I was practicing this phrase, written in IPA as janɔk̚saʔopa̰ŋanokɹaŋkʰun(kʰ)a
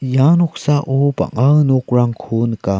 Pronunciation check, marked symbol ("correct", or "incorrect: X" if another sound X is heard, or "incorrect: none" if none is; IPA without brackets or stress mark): incorrect: k